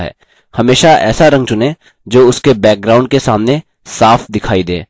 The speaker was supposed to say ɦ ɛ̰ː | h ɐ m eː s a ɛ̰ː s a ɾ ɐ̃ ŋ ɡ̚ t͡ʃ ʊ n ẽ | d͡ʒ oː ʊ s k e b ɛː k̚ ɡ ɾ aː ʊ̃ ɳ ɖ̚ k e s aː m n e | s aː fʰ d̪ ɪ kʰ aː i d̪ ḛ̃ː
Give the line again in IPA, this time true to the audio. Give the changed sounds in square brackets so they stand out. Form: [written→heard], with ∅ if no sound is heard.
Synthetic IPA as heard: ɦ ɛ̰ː | h ɐ m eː [s→ʃ] a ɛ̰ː s a ɾ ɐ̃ ŋ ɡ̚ t͡ʃ ʊ n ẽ | d͡ʒ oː ʊ s k e b ɛː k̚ ɡ ɾ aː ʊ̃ ɳ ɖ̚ k e s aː m n e | s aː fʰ d̪ ɪ kʰ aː i d̪ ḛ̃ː